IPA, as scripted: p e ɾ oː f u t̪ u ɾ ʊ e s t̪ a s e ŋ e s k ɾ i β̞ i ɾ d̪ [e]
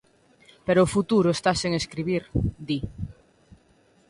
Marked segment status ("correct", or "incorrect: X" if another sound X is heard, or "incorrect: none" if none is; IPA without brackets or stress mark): incorrect: i